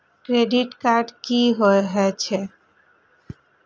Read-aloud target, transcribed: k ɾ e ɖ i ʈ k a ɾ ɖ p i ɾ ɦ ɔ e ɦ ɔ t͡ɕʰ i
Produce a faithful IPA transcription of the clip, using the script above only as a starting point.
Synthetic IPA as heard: k ɾ e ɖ i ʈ k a ɾ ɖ k i ɦ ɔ e ɦ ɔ t͡ɕʰ e